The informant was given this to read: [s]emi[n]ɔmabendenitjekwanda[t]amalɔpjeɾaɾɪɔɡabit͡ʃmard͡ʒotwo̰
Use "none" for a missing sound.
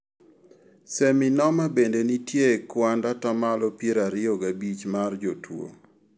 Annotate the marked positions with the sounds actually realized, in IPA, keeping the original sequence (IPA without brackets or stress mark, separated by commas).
s, n, t